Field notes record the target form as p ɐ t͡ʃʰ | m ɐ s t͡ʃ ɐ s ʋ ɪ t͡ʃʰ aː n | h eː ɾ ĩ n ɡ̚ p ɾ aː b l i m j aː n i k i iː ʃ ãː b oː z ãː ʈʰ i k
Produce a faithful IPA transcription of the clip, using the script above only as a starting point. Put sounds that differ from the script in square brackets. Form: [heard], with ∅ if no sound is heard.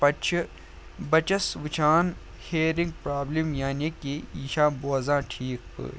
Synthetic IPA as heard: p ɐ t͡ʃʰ | [b] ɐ [∅] t͡ʃ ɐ s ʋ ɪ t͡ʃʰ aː n | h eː ɾ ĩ [ŋ] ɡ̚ p ɾ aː b l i m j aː n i k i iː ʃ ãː b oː z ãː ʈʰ [iː] k